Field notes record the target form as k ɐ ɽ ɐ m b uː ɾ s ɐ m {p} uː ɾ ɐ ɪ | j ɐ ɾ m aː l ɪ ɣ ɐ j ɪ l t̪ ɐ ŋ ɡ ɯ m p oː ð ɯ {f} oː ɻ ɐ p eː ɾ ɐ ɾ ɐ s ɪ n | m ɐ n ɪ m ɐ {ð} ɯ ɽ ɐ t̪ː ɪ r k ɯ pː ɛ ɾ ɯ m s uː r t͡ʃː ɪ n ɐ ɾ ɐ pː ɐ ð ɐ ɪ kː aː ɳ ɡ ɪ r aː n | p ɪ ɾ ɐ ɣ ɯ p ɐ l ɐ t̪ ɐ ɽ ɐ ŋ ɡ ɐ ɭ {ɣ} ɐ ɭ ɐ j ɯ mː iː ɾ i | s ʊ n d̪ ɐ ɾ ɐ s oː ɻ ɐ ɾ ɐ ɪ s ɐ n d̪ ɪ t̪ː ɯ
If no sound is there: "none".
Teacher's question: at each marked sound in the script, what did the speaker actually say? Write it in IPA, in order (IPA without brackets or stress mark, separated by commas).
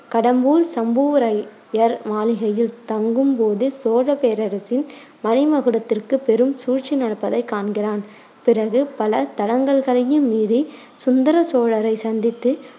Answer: b, s, ɣ, ɣ